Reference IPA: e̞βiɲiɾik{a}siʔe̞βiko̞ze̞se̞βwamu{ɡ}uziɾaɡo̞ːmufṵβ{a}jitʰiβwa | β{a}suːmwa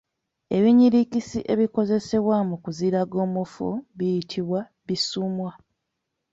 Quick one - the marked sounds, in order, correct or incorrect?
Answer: incorrect: i, incorrect: k, incorrect: i, incorrect: i

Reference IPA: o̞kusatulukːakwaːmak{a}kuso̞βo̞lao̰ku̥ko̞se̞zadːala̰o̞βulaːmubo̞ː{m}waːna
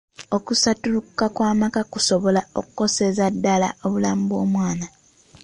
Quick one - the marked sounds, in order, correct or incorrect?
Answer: correct, correct

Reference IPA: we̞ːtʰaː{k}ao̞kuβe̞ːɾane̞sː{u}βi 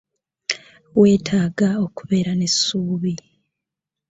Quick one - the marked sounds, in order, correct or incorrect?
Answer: incorrect: ɡ, incorrect: uː

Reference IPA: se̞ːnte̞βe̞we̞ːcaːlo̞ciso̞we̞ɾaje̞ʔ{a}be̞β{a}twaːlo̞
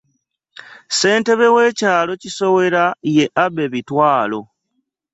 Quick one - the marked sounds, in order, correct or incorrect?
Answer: correct, incorrect: i

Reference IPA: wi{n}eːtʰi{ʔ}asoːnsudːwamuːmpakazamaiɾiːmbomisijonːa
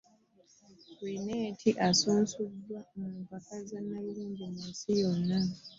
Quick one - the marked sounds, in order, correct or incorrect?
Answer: correct, correct

